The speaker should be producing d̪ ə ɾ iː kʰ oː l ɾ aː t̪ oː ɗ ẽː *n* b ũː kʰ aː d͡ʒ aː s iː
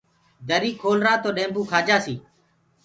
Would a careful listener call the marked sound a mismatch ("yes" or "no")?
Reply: yes